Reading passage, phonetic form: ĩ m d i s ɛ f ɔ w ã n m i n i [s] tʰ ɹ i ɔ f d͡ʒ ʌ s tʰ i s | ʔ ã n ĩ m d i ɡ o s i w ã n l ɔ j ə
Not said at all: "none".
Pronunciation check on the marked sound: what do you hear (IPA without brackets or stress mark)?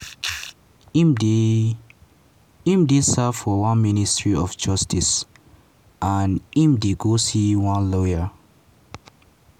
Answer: s